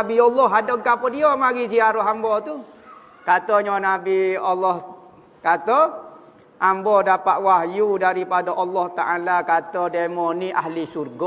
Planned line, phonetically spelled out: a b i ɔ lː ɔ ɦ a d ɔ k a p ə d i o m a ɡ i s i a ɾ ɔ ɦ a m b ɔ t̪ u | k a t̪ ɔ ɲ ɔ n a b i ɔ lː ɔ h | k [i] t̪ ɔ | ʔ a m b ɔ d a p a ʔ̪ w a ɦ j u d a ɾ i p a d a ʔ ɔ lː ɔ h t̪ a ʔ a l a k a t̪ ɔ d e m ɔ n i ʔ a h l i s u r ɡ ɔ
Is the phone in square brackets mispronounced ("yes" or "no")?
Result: yes